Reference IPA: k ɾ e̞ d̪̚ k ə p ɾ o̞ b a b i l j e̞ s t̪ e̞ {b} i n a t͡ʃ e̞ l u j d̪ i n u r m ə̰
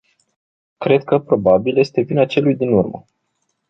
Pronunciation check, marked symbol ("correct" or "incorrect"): incorrect